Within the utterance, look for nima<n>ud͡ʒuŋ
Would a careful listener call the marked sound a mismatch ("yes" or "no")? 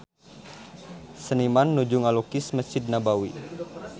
yes